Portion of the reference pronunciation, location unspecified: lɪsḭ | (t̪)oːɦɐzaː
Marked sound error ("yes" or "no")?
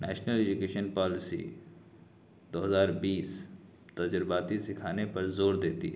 yes